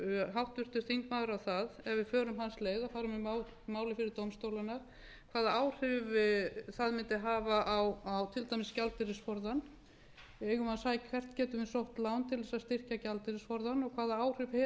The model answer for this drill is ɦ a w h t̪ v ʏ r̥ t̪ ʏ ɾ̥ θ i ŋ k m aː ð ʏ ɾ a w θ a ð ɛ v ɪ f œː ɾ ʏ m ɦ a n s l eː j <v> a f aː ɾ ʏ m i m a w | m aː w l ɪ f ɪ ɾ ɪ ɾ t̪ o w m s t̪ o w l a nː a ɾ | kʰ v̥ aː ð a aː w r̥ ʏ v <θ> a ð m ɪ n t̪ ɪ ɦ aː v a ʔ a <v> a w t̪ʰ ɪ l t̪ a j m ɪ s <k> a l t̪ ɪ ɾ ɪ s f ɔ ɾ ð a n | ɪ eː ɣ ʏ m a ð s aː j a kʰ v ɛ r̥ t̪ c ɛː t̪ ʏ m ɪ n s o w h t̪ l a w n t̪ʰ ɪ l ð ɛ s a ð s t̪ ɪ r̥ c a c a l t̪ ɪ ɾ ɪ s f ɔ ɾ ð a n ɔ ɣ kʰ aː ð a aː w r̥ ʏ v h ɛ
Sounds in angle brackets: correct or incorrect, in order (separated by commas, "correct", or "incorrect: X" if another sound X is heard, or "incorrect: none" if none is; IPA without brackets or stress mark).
incorrect: ð, correct, incorrect: w, incorrect: c